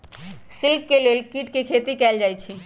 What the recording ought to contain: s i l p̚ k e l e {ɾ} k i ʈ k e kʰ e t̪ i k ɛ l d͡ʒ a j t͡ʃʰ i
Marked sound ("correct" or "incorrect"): incorrect